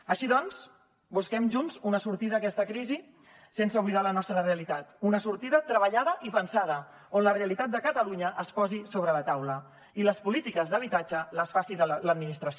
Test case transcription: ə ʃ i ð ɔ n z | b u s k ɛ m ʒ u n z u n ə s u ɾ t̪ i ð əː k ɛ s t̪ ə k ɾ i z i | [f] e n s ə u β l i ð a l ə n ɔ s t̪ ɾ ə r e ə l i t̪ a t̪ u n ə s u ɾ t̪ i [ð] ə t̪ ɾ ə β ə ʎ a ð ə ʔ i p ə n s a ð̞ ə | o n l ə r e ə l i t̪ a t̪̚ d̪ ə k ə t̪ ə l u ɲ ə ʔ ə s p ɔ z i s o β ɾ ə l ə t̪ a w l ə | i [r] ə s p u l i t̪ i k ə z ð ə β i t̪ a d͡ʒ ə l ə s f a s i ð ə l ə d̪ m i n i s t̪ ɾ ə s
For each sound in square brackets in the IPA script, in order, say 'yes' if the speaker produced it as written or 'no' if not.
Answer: no, yes, no

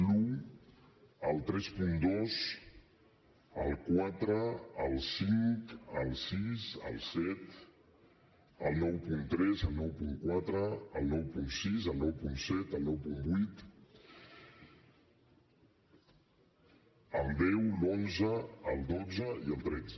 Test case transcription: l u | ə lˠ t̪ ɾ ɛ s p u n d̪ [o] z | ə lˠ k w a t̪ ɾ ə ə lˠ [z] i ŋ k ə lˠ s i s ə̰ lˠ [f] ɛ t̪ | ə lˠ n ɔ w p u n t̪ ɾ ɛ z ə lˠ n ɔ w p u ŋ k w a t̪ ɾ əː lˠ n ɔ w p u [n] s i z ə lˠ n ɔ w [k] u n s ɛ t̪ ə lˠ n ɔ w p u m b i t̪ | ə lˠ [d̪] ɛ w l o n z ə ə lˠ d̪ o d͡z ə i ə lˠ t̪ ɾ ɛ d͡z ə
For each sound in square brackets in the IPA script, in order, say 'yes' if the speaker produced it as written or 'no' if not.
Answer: yes, no, no, yes, no, yes

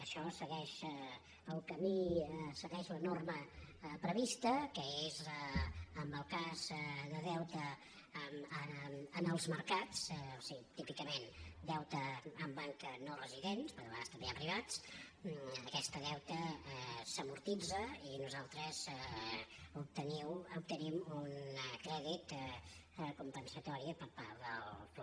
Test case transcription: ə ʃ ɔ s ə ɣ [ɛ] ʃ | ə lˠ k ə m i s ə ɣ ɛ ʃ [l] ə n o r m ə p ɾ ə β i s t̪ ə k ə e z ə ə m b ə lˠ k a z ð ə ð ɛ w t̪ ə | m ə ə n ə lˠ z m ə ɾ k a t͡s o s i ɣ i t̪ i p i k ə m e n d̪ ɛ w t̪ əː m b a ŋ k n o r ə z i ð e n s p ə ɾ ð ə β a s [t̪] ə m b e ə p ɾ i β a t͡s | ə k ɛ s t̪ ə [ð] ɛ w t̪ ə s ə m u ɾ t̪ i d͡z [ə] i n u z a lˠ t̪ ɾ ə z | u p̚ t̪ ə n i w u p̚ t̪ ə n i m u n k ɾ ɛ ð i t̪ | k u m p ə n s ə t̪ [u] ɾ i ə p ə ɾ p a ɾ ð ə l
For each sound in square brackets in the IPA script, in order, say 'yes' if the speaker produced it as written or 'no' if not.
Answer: yes, yes, yes, yes, yes, no

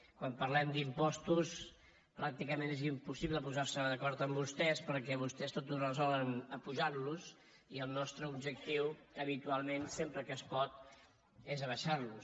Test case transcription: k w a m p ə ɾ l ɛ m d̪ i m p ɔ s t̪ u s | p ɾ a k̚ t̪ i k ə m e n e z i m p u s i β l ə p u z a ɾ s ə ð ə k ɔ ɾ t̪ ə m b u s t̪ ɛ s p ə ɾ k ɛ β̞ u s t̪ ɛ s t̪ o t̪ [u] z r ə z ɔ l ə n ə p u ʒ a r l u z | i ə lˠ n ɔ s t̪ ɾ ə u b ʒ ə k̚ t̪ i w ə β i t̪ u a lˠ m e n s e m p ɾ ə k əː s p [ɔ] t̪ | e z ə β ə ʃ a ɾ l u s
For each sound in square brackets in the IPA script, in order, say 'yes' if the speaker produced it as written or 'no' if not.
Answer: yes, yes

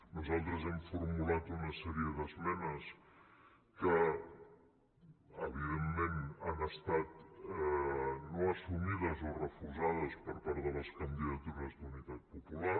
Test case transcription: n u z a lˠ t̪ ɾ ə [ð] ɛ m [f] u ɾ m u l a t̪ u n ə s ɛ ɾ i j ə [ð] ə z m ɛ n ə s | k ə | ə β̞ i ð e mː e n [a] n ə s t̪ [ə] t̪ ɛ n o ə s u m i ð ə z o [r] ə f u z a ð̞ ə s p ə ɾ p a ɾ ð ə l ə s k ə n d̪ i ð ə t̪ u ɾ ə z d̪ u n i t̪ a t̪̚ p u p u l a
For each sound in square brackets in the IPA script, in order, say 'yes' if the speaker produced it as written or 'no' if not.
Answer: no, yes, yes, yes, no, yes

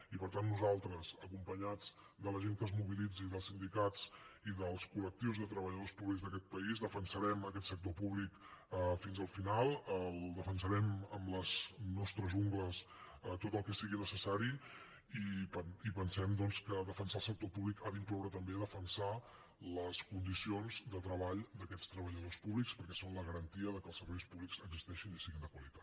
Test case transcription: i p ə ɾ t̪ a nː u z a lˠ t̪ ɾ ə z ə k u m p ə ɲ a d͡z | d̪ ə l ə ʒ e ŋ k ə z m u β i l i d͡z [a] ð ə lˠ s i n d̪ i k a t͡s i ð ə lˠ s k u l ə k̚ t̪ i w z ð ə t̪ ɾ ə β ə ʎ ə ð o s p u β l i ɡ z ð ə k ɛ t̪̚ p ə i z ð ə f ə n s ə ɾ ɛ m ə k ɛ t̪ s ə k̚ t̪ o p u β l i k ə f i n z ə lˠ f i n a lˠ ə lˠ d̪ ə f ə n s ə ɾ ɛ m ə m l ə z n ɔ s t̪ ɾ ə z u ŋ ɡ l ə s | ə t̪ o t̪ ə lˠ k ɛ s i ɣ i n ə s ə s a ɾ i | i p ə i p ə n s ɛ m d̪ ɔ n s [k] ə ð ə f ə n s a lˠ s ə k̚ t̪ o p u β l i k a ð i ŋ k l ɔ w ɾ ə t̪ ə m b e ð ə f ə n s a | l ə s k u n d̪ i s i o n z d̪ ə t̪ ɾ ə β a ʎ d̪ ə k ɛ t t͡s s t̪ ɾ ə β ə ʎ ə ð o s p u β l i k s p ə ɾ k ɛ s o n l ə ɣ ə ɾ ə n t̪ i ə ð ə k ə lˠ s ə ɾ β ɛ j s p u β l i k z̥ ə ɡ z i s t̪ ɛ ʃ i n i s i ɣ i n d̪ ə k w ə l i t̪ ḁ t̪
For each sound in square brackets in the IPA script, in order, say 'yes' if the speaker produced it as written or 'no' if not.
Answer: no, yes

